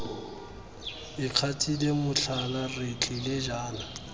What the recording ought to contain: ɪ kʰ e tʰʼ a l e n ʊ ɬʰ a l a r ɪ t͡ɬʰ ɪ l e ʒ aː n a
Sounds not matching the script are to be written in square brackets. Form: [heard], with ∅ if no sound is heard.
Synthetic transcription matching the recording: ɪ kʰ [a] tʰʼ [i] l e [m] ʊ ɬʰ a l a r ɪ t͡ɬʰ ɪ l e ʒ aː n a

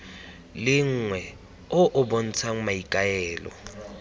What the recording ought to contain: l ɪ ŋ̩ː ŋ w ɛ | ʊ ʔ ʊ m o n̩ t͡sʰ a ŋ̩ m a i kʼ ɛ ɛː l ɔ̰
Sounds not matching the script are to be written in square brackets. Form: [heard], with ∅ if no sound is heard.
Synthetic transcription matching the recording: l ɪ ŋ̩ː ŋ w ɛ | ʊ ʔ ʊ [b] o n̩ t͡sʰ a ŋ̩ m a i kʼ [a] ɛː l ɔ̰

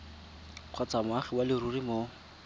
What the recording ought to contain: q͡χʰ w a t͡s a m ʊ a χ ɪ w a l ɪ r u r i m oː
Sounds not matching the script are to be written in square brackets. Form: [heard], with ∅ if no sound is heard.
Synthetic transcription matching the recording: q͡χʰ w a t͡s a m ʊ a χ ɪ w a l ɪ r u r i m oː

